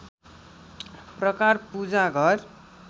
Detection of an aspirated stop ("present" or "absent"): absent